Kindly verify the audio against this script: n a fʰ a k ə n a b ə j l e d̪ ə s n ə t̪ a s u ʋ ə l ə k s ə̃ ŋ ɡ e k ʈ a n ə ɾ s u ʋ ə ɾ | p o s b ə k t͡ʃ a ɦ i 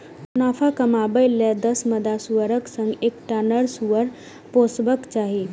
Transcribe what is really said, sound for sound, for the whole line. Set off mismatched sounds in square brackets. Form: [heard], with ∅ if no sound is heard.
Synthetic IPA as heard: n a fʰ a k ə [m] a b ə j l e d̪ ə s [m] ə [d̪] a s u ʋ ə [ɾ] ə k s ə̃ ŋ ɡ e k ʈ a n ə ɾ s u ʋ ə ɾ | p o s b ə k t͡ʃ a ɦ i